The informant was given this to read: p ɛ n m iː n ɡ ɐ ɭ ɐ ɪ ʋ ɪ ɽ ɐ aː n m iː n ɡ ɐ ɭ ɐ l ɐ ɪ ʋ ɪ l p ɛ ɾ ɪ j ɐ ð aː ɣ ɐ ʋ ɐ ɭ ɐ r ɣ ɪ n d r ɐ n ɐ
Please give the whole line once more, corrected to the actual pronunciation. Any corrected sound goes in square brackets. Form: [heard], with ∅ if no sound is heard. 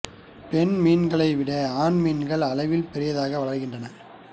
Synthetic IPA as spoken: p ɛ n m iː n ɡ ɐ ɭ ɐ ɪ ʋ ɪ ɽ ɐ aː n m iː n ɡ ɐ ɭ ɐ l ɐ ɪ ʋ ɪ l p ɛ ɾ ɪ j ɐ ð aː ɣ ɐ ʋ ɐ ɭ ɐ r ɣ ɪ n d r ɐ n ɐ